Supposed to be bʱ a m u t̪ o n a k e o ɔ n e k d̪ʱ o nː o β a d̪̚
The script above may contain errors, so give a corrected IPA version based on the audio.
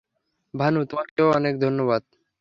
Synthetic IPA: bʱ a n u t̪ o m a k e o ɔ n e k d̪ʱ o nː o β a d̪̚